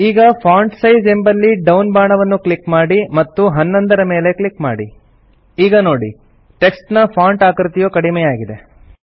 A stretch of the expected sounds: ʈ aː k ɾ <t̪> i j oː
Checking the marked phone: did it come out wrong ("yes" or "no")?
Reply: no